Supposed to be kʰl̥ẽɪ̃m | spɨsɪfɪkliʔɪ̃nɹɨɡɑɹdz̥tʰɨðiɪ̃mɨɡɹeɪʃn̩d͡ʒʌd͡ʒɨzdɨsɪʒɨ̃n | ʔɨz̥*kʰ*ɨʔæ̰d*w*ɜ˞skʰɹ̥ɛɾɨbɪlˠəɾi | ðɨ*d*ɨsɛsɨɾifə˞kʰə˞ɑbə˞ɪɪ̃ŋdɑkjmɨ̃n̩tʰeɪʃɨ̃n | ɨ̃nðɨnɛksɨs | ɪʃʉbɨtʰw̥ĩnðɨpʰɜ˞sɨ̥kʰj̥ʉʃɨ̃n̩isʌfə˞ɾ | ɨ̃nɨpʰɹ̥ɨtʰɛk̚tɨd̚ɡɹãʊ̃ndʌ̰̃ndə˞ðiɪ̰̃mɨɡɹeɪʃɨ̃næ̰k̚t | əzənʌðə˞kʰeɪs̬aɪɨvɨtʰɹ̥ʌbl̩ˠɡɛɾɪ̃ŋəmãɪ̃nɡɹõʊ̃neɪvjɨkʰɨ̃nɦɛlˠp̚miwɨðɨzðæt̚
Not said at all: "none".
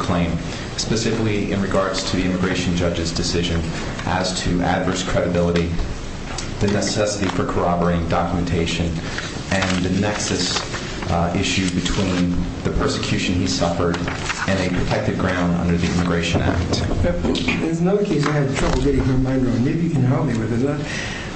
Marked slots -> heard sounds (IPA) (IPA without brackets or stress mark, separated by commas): tʰ, v, n